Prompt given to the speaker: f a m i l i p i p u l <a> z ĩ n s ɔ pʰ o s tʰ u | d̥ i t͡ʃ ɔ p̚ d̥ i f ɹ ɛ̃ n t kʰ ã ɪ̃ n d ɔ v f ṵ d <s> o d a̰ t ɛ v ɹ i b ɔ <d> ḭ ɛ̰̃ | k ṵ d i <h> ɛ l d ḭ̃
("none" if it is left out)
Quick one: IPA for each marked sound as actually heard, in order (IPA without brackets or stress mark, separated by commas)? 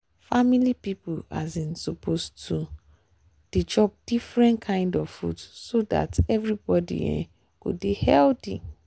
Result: a, s, d, h